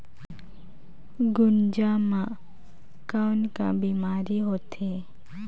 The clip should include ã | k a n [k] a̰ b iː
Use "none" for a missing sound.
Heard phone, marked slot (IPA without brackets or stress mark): k